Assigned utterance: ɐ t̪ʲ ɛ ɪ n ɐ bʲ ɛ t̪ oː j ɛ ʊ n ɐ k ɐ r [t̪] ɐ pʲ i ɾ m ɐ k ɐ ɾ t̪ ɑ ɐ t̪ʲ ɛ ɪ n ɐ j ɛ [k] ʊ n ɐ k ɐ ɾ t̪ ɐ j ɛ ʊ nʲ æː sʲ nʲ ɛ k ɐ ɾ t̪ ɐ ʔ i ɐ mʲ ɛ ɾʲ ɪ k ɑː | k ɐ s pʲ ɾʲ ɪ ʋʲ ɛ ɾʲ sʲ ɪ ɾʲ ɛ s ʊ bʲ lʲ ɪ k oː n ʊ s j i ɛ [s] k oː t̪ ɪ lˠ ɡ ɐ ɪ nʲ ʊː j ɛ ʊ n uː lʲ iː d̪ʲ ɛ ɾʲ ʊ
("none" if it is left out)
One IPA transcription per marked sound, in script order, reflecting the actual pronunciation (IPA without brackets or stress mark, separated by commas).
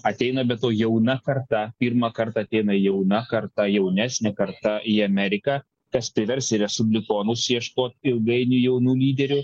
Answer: t̪, none, ʃ